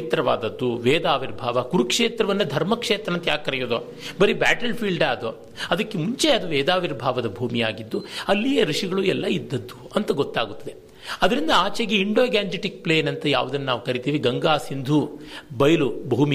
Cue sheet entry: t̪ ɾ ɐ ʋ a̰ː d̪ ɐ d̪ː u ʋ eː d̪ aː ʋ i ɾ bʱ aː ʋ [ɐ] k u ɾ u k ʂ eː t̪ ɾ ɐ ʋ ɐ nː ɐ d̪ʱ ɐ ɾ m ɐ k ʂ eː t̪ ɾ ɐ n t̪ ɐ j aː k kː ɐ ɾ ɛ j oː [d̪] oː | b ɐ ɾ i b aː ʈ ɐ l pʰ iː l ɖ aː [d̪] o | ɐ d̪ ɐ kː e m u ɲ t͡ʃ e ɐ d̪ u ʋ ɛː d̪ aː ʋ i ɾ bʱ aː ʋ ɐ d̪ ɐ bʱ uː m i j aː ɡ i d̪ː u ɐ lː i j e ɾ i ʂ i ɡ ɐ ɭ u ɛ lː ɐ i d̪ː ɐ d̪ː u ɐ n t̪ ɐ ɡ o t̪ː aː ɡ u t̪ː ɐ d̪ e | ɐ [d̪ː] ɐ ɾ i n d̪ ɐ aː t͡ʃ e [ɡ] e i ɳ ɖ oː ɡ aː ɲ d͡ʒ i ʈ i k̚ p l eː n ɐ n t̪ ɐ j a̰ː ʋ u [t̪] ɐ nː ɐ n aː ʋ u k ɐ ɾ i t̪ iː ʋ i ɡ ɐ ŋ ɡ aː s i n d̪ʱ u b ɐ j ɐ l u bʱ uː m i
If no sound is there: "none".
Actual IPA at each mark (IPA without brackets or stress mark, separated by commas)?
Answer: ɐ, d̪, d̪, d̪, ɡ, d̪